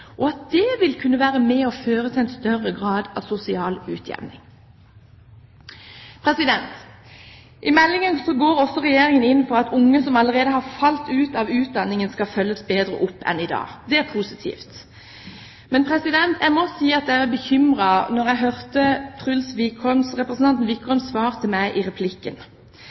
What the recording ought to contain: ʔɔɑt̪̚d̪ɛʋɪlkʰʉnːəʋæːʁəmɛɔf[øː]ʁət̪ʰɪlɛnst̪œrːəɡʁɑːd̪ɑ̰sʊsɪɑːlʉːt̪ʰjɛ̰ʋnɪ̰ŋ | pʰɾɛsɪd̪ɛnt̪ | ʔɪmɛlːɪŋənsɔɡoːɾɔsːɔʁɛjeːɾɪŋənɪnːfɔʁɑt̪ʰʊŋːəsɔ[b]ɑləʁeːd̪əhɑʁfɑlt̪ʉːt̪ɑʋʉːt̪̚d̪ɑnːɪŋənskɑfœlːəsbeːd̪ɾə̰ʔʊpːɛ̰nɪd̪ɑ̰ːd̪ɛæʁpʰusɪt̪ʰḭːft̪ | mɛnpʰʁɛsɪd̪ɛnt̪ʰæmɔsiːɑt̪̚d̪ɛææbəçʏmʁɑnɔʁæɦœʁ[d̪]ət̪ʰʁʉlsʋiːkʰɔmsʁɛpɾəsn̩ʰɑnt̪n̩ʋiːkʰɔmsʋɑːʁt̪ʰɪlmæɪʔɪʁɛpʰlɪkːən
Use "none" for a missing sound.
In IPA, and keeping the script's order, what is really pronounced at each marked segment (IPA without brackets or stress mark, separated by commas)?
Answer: øː, m, t̪